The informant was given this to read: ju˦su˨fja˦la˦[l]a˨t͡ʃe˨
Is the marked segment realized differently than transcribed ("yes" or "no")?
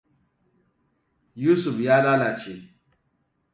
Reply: no